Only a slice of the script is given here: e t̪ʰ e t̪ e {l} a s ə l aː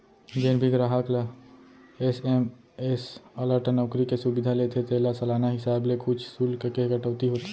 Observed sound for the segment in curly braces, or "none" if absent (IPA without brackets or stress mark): l